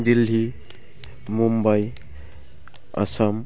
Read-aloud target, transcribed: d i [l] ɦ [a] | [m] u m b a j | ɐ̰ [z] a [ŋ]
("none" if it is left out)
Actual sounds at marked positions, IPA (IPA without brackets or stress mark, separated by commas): l, i, m, s, m